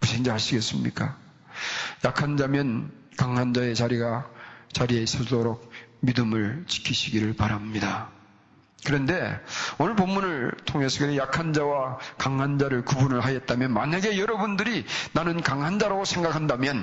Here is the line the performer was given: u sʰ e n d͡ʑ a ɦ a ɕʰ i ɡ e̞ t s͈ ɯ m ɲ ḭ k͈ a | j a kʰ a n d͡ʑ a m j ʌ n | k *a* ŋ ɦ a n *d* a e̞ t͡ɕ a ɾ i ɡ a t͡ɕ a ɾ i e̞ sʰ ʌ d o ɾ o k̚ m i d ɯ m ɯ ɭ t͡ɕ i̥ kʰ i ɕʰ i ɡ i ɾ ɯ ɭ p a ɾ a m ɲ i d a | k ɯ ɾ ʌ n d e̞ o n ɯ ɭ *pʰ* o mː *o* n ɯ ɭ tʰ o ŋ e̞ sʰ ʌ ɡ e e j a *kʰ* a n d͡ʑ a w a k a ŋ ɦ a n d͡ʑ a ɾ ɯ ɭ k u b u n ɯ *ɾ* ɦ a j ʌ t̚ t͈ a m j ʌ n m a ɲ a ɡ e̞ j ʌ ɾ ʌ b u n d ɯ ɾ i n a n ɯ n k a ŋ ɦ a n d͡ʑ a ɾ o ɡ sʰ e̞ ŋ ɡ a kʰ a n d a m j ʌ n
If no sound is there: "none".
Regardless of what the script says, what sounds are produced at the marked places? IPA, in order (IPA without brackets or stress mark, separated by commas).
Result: a, d͡ʑ, p, u, kʰ, ɭ